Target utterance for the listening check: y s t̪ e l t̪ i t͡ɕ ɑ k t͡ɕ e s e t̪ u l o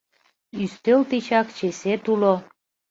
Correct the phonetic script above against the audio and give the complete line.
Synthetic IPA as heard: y s t̪ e l t̪ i t͡ɕ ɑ k t͡ɕ e s e t̪ u l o